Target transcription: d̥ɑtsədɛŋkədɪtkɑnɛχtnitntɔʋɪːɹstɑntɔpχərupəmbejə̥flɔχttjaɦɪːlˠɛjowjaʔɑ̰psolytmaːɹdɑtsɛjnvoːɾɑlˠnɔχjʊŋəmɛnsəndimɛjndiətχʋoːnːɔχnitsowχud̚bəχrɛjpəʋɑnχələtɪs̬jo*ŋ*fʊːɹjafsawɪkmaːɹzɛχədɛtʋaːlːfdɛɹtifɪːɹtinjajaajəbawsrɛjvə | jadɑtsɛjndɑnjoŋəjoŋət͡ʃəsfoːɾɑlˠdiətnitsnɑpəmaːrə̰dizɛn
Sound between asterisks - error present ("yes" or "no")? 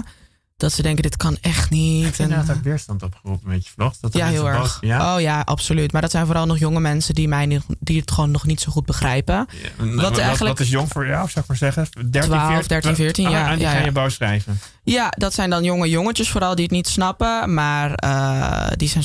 no